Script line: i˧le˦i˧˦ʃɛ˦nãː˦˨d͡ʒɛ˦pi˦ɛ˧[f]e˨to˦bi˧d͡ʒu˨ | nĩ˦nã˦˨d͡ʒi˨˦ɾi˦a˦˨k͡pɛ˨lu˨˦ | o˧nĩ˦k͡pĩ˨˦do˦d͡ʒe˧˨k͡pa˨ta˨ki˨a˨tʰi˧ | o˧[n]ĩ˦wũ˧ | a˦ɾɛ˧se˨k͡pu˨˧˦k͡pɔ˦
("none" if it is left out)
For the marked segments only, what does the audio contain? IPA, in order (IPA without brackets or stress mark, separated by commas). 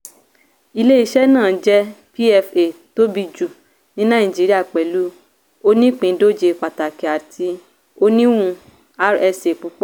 f, n